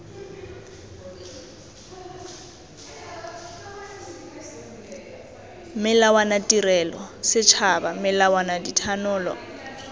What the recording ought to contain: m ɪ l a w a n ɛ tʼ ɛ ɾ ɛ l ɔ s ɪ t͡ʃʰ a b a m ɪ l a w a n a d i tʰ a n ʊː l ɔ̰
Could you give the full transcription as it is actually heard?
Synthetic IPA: m ɪ l a w a n a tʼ i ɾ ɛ l ɔ s ɪ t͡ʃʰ a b a m ɪ l a w a n a d i tʰ a n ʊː l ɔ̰